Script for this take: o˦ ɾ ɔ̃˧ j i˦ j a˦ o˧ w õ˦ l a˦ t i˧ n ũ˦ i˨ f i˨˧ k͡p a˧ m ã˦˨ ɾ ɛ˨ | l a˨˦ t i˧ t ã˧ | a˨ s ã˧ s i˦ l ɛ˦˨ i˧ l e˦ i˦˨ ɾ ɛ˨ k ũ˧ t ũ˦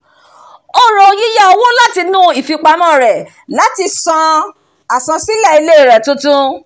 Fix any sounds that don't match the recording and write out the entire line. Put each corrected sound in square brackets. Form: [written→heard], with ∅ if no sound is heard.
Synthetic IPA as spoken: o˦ ɾ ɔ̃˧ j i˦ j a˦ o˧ w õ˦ l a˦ t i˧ n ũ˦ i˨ f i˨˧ k͡p a˧ m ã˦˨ ɾ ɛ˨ | l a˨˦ t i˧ [t→s] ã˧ | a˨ s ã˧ s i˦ l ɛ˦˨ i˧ l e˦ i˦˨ ɾ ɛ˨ [k→t] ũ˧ t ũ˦